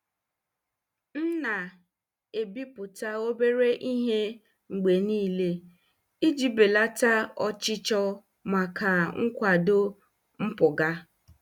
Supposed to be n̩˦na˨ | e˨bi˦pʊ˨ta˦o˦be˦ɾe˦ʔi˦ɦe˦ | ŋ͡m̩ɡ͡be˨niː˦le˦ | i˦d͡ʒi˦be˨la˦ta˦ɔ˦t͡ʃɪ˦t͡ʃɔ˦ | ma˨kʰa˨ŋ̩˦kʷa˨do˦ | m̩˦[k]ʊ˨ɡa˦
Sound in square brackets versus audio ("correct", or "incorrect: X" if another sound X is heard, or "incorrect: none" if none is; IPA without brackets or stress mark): incorrect: p